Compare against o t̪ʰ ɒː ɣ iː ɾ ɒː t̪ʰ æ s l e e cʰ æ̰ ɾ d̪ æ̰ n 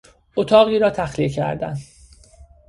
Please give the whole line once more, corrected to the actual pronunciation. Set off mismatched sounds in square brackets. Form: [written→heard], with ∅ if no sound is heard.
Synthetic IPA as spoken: o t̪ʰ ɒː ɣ iː ɾ ɒː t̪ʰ æ [s→x] l [e→i] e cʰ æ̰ ɾ d̪ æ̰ n